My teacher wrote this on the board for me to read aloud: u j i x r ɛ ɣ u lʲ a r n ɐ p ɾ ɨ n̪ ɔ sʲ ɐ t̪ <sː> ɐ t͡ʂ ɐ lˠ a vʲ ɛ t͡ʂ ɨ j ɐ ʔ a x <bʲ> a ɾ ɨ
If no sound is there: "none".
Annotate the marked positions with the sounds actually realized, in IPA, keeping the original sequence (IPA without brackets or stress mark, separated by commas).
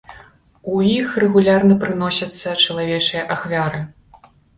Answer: sː, vʲ